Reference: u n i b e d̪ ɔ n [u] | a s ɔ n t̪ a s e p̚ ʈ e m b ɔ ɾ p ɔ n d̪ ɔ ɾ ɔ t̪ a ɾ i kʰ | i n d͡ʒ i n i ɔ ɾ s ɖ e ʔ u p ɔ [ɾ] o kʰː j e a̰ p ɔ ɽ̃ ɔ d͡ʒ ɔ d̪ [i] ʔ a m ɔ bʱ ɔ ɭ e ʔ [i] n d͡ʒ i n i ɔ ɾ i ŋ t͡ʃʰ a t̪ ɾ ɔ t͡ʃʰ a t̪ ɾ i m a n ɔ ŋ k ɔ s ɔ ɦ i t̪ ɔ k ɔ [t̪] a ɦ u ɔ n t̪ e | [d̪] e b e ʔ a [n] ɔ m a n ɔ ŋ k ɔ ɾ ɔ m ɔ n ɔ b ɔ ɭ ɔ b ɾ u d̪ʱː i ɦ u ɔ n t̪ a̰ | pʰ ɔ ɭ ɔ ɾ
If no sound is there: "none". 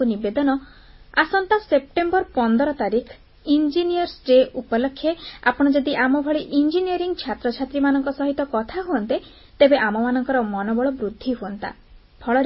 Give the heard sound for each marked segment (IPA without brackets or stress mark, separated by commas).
ɔ, l, i, i, t̪ʰ, t̪, m